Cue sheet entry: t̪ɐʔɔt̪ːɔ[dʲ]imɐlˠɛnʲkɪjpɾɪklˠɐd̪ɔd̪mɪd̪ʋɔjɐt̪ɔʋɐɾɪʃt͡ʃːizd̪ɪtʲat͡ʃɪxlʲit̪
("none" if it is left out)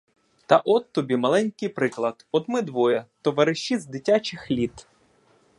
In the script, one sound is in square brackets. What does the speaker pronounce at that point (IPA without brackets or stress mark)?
bʲ